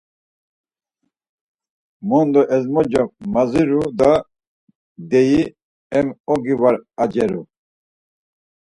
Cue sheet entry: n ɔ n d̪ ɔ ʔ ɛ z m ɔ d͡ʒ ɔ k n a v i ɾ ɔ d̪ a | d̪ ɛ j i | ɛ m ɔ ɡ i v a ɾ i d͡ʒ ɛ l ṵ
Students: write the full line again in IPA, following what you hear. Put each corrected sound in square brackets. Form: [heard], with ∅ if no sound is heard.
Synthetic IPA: [m] ɔ n d̪ ɔ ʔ ɛ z m ɔ d͡ʒ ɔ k [m] a [z] i ɾ [u] d̪ a | d̪ ɛ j i | ɛ m ɔ ɡ i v a ɾ [a] d͡ʒ ɛ [ɾ] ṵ